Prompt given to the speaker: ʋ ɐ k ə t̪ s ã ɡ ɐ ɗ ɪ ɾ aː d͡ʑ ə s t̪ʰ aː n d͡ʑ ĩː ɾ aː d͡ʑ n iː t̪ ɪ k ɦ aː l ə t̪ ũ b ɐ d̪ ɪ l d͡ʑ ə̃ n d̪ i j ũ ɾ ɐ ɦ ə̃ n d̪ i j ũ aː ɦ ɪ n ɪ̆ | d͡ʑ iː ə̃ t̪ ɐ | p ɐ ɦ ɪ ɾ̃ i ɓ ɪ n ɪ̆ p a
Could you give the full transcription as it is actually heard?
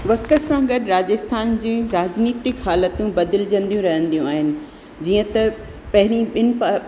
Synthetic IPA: ʋ ɐ k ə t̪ s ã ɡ ɐ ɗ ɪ ɾ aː d͡ʑ ə s t̪ʰ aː n d͡ʑ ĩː ɾ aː d͡ʑ n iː t̪ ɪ k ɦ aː l ə t̪ ũ b ɐ d̪ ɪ l d͡ʑ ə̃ n d̪ i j ũ ɾ ɐ ɦ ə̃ n d̪ i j ũ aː ɦ ɪ n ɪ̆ | d͡ʑ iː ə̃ t̪ ɐ | p ɐ ɦ ɪ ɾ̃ i ɓ ɪ n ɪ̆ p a